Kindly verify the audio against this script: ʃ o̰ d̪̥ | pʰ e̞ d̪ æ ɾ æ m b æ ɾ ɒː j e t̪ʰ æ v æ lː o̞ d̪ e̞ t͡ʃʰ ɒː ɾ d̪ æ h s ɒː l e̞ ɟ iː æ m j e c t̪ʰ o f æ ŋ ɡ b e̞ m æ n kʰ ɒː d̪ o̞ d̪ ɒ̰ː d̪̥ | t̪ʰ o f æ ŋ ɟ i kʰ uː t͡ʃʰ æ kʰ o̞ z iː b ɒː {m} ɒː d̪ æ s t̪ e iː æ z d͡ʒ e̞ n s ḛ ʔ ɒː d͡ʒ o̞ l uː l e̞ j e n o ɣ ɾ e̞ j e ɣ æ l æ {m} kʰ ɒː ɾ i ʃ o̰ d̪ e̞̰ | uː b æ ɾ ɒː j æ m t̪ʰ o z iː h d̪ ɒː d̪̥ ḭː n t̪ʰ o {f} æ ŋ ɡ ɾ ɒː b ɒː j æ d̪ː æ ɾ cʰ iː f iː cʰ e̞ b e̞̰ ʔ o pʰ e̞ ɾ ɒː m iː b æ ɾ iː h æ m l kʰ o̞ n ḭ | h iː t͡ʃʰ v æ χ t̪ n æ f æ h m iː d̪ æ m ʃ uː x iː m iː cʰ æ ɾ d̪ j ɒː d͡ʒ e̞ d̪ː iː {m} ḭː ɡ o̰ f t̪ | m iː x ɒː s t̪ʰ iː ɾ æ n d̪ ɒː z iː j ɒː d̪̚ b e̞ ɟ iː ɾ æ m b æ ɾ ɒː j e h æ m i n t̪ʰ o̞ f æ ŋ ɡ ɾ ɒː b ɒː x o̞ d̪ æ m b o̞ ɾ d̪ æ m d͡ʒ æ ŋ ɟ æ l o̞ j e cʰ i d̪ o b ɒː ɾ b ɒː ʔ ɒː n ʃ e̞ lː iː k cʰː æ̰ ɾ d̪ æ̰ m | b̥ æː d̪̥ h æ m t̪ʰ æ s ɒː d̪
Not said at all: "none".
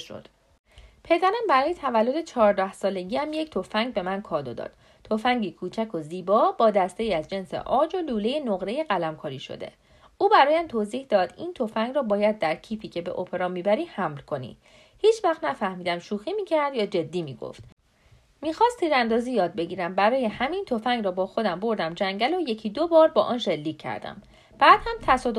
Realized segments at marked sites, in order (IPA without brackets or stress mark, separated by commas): b, m, f, m